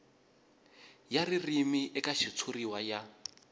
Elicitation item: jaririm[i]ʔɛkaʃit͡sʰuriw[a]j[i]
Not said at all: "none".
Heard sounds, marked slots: i, a, a

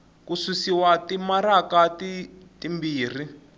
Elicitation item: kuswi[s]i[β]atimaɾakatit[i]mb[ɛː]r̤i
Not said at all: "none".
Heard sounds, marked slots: s, w, i, iː

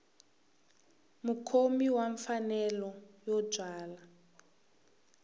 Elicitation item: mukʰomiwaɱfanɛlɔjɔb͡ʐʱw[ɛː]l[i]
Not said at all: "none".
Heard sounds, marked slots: aː, a

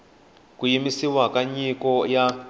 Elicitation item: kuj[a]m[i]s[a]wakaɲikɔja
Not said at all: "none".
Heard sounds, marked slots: i, i, i

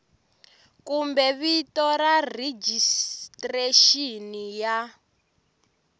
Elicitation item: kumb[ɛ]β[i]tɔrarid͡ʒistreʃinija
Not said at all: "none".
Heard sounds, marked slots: ɛ, i

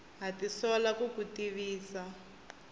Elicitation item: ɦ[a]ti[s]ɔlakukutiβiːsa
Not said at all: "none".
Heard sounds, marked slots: a, s

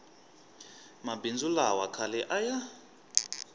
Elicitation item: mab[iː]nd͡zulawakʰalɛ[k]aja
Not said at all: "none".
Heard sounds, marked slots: i, ʔ

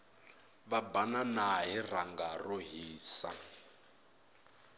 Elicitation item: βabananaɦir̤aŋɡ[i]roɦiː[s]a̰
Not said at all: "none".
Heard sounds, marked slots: a, s

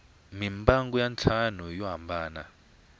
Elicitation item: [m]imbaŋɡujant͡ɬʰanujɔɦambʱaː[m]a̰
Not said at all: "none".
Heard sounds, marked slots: m, n

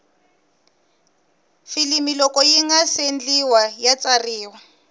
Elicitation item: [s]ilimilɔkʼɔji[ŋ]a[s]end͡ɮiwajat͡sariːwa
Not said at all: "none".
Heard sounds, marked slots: f, ŋ, s

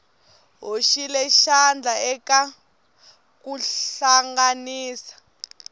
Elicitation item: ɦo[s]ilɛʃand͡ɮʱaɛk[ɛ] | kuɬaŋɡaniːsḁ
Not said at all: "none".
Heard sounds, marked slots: ʃ, a

